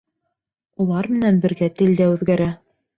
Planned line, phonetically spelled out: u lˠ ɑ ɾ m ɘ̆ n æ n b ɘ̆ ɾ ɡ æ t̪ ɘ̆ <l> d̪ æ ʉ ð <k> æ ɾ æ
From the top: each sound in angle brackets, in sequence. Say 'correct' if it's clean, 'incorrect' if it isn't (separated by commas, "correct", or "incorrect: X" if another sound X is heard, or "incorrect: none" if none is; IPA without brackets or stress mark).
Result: correct, incorrect: ɡ